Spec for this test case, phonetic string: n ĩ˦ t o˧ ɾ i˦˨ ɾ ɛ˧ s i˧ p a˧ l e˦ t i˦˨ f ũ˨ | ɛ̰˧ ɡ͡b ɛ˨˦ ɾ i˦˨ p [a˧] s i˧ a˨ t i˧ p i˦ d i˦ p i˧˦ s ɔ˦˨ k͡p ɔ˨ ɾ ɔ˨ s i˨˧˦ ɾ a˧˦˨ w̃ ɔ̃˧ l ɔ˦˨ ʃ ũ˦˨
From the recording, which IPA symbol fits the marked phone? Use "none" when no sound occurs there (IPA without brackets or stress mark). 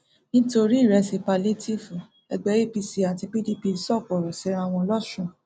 i˧